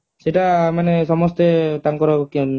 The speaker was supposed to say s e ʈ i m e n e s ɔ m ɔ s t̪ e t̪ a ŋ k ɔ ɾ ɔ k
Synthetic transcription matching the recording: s e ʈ a m a n e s ɔ m ɔ s t̪ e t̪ a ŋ k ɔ ɾ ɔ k